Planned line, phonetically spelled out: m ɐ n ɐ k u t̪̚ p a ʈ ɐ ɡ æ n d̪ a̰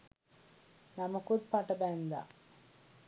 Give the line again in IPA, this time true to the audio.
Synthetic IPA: n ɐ m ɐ k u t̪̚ p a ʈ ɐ b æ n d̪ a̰

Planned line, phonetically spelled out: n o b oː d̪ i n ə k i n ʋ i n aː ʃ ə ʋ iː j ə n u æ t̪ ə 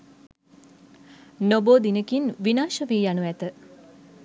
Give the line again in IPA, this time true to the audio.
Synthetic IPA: n o b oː d̪ i n ə k i n ʋ i n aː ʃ ə ʋ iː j a n u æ t̪ ə

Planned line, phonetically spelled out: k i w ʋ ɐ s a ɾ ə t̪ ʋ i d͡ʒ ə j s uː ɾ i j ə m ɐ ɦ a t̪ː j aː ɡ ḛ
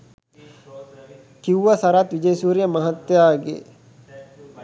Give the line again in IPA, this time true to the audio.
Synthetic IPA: k i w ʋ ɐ s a ɾ a t̪ ʋ i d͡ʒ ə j s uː ɾ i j ə m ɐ ɦ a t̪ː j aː ɡ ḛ

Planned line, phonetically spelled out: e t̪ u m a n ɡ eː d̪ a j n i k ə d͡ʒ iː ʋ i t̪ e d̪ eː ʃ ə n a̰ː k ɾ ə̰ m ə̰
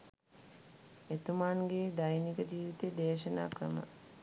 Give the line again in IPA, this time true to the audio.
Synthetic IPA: e t̪ u m a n ɡ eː d̪ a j n i k ə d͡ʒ iː ʋ i t̪ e d̪ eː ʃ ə n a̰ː k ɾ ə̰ m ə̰

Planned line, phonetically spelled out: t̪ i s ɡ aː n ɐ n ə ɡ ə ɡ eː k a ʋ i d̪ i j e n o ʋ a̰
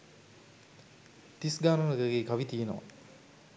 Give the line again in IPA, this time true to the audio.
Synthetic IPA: t̪ i s ɡ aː n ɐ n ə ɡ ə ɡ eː k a ʋ i t̪ i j e n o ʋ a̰

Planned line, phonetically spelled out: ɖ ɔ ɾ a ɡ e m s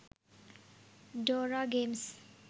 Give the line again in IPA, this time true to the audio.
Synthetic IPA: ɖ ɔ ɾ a ɡ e m s

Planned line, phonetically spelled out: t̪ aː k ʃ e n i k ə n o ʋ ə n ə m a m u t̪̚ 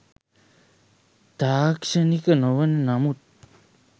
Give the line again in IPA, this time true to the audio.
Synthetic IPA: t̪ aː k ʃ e n i k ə n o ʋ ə n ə n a m u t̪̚

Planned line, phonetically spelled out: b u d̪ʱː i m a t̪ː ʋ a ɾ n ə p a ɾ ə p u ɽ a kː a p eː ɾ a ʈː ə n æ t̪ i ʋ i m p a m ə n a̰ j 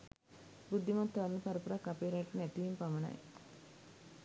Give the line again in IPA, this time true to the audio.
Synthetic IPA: b u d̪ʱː i m a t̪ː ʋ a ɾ n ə p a ɾ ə p u ɾ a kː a p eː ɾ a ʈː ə n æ t̪ i ʋ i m p a m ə n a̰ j

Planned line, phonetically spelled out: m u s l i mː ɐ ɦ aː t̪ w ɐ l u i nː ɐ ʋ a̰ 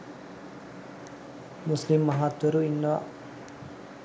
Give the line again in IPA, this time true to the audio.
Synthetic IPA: m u s l i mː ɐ ɦ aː t̪ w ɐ ɾ u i nː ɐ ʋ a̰

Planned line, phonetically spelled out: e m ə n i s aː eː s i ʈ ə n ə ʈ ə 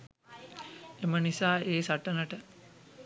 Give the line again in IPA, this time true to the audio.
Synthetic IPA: e m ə n i s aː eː s a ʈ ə n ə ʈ ə

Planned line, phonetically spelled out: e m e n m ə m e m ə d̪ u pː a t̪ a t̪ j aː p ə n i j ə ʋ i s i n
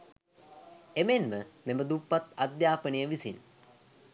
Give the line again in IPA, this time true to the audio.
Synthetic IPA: e m e n m ə m e m ə d̪ u pː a t̪ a d̪ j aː p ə n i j ə ʋ i s i n

